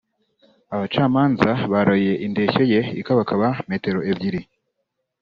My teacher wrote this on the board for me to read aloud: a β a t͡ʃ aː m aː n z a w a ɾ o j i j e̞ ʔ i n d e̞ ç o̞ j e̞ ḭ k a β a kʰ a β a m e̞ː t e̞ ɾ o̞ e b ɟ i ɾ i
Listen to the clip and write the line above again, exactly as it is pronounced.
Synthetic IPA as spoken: a β a t͡ʃ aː m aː n z a β a ɾ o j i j e̞ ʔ i n d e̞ ç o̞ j e̞ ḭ k a β a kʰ a β a m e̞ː t e̞ ɾ o̞ e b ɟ i ɾ i